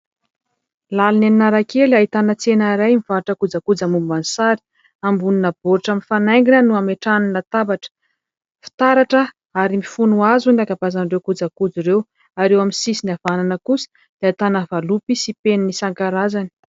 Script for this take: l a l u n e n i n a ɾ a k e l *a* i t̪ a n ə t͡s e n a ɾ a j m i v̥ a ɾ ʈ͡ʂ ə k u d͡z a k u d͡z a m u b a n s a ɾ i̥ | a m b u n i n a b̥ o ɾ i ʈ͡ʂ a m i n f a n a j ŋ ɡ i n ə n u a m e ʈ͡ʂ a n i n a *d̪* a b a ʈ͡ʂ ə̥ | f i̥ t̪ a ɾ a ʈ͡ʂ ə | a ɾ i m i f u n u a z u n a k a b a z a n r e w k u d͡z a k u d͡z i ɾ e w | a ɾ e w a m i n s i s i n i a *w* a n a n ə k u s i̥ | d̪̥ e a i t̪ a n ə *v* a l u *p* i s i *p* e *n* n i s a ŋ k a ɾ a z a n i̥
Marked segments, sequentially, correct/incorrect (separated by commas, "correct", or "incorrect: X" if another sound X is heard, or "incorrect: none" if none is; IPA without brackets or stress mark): correct, incorrect: t̪, incorrect: v, correct, correct, correct, correct